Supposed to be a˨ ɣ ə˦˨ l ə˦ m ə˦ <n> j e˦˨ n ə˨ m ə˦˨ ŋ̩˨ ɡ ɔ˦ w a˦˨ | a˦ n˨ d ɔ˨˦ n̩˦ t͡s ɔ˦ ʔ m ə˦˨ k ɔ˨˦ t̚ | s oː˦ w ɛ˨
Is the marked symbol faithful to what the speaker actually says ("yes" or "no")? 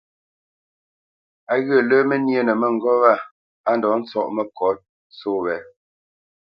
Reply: yes